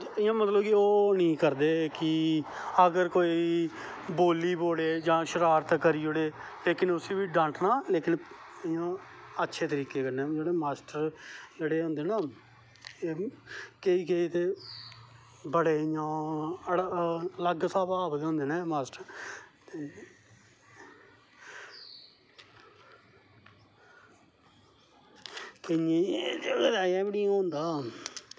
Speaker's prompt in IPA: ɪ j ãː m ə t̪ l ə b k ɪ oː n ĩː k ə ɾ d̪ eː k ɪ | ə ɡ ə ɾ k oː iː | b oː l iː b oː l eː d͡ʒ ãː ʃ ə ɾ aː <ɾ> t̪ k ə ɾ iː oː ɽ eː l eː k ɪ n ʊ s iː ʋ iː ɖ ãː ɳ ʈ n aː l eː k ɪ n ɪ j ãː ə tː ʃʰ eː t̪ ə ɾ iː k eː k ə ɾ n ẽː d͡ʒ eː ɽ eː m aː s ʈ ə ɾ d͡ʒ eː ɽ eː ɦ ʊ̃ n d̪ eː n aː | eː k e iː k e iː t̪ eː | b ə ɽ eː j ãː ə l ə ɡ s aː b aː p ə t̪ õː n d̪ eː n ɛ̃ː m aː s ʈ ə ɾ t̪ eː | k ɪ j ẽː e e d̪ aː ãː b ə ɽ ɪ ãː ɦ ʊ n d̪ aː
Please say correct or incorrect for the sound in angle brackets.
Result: correct